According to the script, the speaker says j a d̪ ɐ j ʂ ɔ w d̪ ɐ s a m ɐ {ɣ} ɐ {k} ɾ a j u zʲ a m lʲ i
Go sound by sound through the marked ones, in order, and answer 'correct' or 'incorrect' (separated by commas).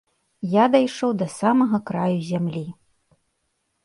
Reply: correct, correct